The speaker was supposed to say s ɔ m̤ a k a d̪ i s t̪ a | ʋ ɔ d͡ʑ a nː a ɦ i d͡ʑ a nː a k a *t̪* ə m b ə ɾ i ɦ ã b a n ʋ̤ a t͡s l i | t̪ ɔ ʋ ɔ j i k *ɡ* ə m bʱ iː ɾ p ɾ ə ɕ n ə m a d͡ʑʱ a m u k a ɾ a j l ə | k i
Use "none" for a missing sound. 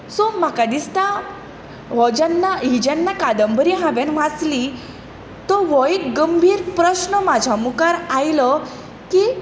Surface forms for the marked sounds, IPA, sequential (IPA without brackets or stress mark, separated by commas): d̪, ɡ